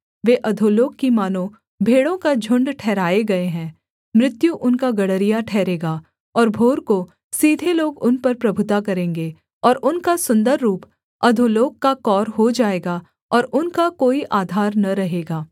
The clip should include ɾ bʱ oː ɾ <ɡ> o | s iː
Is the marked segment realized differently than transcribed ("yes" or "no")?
yes